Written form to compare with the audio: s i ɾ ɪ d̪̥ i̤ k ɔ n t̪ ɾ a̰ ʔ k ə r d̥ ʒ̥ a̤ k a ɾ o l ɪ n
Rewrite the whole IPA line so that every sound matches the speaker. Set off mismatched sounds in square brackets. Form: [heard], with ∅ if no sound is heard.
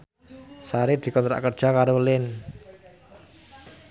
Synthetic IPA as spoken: s [a] ɾ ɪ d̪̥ i̤ k ɔ n t̪ ɾ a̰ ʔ k ə r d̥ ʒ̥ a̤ k a ɾ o l ɪ n